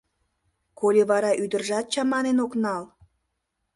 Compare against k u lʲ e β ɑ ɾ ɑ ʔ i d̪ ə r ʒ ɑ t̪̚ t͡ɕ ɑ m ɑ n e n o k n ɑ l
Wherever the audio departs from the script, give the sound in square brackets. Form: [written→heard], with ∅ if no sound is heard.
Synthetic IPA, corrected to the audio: k [u→o] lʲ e β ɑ ɾ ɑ ʔ [i→y] d̪ ə r ʒ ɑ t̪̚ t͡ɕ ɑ m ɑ n e n o k n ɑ l